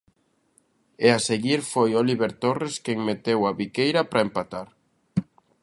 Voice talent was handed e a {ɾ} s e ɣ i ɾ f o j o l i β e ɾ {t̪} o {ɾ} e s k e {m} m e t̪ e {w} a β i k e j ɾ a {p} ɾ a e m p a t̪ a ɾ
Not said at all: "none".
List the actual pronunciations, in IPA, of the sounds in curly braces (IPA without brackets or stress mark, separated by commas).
none, t̪, r, ŋ, w, p